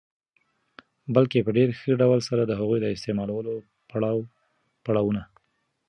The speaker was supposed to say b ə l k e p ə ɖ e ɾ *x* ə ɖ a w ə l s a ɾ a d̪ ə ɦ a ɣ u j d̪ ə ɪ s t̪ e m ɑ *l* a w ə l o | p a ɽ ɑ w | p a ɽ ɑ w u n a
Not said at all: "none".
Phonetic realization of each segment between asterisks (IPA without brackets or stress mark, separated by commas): x, l